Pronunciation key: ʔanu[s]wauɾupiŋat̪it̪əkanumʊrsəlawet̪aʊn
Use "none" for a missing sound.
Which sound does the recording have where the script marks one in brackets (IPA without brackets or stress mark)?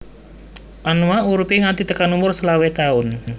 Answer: none